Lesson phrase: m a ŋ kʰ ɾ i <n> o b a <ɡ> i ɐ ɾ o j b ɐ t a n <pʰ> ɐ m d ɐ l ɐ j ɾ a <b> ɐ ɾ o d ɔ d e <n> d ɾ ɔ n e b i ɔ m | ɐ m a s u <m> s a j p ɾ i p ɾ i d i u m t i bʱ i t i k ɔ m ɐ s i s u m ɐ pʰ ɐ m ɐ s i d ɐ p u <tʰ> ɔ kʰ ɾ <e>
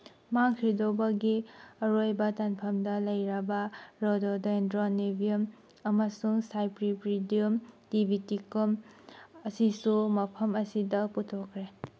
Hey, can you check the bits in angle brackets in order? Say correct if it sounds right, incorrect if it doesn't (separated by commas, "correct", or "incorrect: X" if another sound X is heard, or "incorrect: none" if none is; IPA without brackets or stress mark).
incorrect: d, correct, correct, correct, correct, incorrect: ŋ, correct, correct